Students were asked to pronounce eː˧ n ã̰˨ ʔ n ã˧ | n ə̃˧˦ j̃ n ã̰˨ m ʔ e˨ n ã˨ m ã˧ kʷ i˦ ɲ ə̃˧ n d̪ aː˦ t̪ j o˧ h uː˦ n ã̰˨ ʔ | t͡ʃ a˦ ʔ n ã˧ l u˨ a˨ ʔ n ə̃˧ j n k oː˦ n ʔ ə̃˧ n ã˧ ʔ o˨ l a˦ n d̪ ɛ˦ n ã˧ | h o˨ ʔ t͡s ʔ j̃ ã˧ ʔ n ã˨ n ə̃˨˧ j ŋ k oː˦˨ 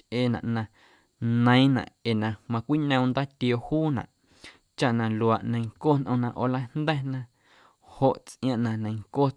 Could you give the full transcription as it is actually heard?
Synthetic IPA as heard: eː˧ n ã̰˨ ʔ n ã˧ | n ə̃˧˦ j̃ n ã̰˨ ʔ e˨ n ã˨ m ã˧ kʷ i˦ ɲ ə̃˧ n d̪ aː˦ t̪ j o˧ h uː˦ n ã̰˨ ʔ | t͡ʃ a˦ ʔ n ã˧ l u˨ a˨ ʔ n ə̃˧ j ŋ k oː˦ n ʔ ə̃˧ n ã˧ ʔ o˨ l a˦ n d̪ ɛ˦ n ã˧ | h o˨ ʔ t͡s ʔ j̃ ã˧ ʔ n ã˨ n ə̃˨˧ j ŋ k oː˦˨